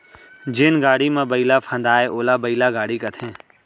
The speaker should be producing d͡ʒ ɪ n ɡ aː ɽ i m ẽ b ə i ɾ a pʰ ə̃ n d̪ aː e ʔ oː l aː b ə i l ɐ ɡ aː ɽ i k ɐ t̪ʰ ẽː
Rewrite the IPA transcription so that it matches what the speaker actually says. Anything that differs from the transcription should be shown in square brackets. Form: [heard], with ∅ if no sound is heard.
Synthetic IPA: d͡ʒ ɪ n ɡ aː ɽ i m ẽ b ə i [l] a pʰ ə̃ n d̪ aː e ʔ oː l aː b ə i l [a] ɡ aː ɽ i k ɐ t̪ʰ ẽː